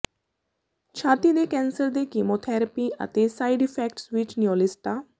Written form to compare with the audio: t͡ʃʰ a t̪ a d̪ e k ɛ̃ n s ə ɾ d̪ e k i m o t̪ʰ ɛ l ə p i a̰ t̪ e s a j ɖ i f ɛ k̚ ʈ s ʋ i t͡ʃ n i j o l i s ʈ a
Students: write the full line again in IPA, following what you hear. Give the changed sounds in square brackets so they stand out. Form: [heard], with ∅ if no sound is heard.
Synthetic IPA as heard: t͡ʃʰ a t̪ [i] d̪ e k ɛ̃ n s ə ɾ d̪ e k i m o t̪ʰ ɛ [ɾ] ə p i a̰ t̪ e s a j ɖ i f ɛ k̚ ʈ s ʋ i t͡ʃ n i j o l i s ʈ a